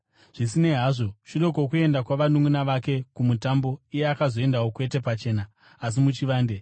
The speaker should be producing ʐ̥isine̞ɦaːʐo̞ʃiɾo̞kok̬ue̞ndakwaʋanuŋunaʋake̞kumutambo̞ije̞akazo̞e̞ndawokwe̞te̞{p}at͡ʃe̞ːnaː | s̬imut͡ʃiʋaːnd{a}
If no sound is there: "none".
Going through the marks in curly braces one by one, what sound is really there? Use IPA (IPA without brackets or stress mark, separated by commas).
p, e